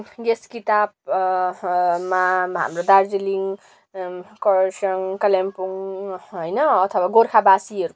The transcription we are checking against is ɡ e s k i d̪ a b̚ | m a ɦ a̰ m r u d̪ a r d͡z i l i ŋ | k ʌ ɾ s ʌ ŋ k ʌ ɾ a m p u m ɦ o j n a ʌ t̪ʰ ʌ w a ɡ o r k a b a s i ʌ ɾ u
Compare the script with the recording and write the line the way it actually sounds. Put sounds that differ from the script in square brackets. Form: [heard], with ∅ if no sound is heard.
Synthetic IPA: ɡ e s k i [t̪] a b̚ | m a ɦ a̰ m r [o] d̪ a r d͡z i l i ŋ | k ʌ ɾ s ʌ ŋ k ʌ [l] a m p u [ŋ] ɦ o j n [ʌ] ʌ t̪ʰ ʌ w a ɡ o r [kʰ] a b a s i ʌ ɾ u